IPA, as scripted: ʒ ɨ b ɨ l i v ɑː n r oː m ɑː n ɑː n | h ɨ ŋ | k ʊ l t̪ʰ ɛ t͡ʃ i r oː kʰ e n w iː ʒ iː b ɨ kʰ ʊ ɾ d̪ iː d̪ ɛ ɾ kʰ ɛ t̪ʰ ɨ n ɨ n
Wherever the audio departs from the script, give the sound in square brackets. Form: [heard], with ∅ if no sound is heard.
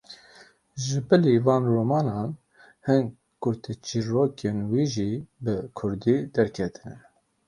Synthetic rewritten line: ʒ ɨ b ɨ l i v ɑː n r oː m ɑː n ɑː n | h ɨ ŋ | k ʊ [ɾ] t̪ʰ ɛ t͡ʃ i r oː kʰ e n w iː ʒ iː b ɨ kʰ ʊ ɾ d̪ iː d̪ ɛ ɾ kʰ ɛ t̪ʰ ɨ n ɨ n